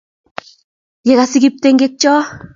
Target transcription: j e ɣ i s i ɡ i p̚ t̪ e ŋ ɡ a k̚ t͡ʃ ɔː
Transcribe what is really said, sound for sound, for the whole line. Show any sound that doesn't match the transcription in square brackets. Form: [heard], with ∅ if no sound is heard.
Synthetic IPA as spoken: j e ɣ [a] s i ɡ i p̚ t̪ e ŋ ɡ [e] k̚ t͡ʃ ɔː